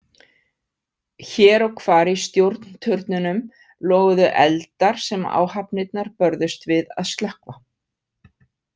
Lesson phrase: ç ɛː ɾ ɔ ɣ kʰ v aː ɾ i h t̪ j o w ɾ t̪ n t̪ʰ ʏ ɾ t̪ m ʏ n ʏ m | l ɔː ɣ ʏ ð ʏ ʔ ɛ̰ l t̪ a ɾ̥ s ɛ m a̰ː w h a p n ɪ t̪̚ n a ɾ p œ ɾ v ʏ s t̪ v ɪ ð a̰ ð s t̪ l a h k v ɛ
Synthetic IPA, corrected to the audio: ç ɛː ɾ ɔ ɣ kʰ v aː ɾ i s t̪ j o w ɾ t̪ n t̪ʰ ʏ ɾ t̪ n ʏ n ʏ m | l ɔː ɣ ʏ ð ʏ ʔ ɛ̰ l t̪ a ɾ̥ s ɛ m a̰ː w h a p n ɪ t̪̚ n a ɾ p œ ɾ ð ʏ s t̪ v ɪ ð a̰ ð s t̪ l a h k v a